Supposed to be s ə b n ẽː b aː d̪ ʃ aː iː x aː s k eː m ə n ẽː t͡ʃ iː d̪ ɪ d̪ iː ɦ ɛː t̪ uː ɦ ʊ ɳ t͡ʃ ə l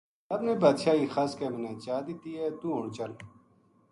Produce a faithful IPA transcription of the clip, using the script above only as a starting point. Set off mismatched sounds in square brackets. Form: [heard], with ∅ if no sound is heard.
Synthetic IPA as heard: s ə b n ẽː b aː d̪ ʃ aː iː x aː s k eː m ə n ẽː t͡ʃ [aː] d̪ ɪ [t̪] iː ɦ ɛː t̪ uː ɦ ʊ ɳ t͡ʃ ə l

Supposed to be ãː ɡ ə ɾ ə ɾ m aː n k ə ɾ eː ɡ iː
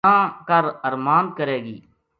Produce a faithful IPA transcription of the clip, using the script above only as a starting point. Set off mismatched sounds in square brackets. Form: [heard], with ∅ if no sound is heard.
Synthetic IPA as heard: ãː [k] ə ɾ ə ɾ m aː n k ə ɾ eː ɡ iː

